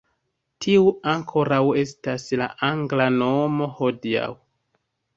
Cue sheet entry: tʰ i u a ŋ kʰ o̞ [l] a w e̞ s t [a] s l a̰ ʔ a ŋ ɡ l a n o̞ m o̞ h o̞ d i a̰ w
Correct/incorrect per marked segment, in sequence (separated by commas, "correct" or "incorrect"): incorrect, correct